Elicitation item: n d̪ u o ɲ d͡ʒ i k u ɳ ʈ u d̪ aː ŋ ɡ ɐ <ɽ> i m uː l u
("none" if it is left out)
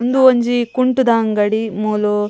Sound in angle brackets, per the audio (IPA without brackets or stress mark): ɽ